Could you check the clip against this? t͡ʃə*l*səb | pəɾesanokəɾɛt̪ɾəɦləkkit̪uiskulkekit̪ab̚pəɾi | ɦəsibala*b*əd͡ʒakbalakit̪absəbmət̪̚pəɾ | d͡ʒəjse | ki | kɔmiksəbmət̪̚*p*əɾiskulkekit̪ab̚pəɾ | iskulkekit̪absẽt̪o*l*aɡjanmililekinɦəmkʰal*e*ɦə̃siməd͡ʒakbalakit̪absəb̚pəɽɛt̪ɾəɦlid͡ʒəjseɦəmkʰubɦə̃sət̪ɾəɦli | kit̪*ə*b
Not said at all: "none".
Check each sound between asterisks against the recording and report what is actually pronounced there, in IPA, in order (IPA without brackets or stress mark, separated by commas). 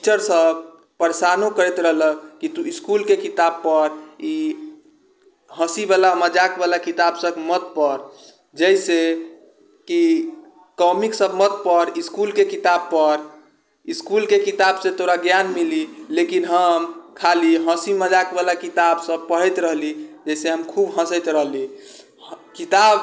ɾ, m, p, ɾ, i, a